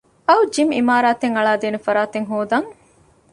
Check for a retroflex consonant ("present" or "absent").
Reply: present